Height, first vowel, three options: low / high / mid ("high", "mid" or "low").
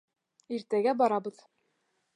high